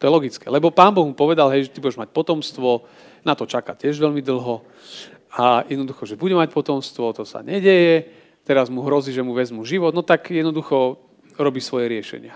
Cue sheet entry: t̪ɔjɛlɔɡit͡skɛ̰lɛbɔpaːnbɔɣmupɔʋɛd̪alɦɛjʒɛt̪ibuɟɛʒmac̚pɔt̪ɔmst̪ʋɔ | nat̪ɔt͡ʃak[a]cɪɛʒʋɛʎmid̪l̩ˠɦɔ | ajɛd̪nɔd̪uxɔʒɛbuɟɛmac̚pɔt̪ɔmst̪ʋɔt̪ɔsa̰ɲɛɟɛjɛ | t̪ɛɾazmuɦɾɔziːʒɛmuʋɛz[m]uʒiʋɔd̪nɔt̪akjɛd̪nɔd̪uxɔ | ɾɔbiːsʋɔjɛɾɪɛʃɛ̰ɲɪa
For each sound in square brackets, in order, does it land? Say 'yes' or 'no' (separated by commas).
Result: yes, yes